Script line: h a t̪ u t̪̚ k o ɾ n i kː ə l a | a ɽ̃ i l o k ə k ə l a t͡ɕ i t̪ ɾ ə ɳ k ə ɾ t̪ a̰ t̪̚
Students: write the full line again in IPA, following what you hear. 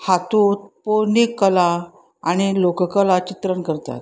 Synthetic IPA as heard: h a t̪ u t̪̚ p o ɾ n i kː ə l a | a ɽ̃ i l o k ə k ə l a t͡ɕ i t̪ ɾ ə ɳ k ə ɾ t̪ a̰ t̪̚